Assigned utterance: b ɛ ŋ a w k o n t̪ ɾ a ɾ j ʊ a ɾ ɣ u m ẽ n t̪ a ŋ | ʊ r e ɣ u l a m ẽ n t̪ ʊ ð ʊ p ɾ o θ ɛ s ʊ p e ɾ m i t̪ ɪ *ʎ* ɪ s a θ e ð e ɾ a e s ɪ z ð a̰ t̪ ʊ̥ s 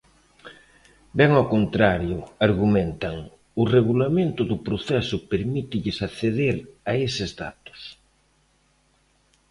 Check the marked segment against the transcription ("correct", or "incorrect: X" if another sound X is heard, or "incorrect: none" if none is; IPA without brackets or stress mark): correct